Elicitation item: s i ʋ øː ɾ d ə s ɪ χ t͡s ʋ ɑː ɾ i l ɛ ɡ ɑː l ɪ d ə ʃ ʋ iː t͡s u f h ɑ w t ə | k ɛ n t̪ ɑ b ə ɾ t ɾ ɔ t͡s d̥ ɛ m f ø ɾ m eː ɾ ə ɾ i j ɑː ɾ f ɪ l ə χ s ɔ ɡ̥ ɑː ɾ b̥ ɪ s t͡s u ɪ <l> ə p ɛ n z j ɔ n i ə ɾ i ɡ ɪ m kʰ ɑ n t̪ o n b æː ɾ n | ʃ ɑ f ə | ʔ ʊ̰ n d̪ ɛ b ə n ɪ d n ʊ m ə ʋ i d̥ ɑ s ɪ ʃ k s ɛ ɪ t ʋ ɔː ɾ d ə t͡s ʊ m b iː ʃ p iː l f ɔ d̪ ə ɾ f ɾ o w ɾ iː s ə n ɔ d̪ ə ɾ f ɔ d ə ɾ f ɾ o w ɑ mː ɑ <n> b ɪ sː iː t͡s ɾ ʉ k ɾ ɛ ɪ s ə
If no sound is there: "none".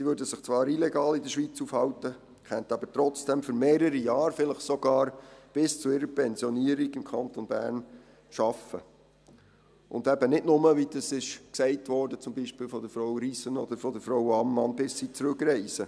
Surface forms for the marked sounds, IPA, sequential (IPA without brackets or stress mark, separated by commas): ɾ, n